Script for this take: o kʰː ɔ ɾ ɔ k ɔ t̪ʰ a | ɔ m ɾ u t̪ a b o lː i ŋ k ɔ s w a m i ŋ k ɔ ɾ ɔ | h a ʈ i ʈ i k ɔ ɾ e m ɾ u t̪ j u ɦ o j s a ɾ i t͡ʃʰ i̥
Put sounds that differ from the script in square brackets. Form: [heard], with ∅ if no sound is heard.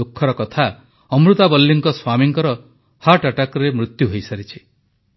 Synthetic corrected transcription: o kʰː ɔ ɾ ɔ k ɔ t̪ʰ a | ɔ m ɾ u t̪ a b [ɔ] lː i ŋ k ɔ s w a m i ŋ k ɔ ɾ ɔ | h a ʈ [a] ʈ [a] k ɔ ɾ e m ɾ u t̪ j u ɦ o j s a ɾ i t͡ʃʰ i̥